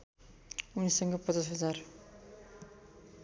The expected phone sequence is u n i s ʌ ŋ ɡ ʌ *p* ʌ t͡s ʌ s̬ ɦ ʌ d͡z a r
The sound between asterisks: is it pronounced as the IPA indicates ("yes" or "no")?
yes